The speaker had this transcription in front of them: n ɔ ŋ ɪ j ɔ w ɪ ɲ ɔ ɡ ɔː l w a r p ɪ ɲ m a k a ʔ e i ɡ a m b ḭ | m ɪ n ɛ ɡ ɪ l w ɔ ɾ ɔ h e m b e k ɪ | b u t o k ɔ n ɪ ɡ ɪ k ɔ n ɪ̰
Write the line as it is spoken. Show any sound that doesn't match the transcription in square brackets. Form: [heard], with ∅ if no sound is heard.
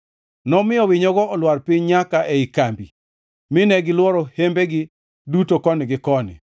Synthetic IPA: n ɔ [m] ɪ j ɔ w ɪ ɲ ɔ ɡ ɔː l w a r p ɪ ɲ [ɲ] a k a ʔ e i [k] a m b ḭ | m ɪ n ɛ ɡ ɪ l w ɔ ɾ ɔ h e m b e [ɡ] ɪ | [d] u t o k ɔ n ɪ ɡ ɪ k ɔ n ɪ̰